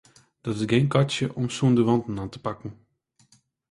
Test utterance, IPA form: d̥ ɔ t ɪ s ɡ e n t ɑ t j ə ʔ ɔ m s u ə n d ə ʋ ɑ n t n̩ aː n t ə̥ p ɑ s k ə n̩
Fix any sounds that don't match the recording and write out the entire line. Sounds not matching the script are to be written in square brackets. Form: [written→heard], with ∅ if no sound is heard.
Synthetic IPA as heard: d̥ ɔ t ɪ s ɡ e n [t→k] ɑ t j ə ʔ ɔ m s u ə n d ə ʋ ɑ n t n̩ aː n t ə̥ p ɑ [s→∅] k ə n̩